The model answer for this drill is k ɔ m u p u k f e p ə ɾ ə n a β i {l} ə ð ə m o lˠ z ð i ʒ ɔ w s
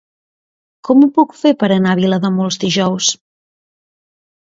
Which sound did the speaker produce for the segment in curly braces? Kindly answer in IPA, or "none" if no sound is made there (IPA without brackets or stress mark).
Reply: l